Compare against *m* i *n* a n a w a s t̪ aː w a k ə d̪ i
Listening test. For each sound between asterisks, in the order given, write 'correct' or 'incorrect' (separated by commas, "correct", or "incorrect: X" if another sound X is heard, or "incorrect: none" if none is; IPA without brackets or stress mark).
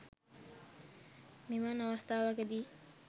correct, incorrect: m